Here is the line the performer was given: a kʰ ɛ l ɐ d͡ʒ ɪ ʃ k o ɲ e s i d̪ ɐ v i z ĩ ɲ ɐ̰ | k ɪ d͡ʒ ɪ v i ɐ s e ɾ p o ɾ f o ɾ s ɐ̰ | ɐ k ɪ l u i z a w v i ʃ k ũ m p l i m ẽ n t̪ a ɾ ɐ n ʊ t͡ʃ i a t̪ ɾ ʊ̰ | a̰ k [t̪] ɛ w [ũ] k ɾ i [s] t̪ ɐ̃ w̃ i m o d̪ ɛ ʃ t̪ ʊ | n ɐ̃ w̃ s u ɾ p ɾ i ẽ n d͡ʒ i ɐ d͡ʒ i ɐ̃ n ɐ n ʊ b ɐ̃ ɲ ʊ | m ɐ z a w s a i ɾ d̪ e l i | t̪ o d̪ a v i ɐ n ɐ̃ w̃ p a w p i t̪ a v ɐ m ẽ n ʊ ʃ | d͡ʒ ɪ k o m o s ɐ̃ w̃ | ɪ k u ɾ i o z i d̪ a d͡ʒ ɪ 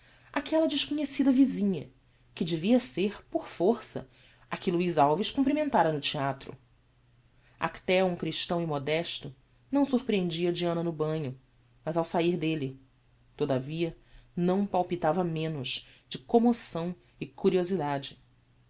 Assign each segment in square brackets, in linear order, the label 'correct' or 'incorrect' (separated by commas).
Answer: correct, correct, incorrect